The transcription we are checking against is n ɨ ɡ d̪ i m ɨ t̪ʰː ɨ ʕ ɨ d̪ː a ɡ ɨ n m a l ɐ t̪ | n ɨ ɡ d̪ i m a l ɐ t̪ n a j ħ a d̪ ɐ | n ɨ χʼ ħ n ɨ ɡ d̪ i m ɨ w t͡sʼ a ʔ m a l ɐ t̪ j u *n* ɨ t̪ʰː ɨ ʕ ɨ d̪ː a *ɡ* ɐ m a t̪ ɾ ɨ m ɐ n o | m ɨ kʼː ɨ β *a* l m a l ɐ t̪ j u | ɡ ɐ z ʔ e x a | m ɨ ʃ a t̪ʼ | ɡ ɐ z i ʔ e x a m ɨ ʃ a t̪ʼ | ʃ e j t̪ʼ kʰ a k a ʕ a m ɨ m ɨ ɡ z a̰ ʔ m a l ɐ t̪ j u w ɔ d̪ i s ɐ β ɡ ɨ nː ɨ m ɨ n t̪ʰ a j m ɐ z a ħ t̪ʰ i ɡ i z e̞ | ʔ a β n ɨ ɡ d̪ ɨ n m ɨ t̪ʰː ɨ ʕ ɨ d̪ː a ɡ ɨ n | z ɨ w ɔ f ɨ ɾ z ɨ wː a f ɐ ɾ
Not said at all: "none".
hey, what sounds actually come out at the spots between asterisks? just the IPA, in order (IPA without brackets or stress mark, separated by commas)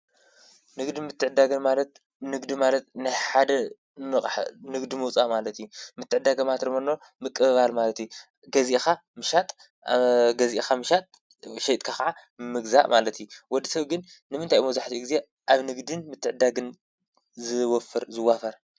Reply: m, ɡ, a